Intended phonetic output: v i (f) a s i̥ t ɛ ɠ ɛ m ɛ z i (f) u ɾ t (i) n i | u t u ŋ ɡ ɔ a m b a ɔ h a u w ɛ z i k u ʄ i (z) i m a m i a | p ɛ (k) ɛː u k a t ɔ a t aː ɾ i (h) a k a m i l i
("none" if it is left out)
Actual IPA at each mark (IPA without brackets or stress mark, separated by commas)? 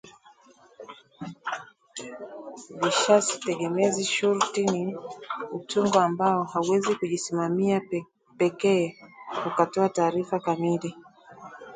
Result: ʃ, ʃ, i, s, k, f